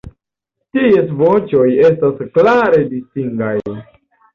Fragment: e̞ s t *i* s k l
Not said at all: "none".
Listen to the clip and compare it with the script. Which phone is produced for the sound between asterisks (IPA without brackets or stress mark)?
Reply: a